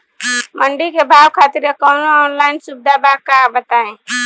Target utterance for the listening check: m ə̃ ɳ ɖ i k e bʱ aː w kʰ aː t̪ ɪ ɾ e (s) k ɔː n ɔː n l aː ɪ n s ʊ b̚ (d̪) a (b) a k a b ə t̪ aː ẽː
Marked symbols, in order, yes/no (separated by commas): no, yes, yes